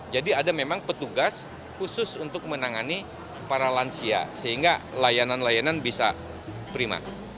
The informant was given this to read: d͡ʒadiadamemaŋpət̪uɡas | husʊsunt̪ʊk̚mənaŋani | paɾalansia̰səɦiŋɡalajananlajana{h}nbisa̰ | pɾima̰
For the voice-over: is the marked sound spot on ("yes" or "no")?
no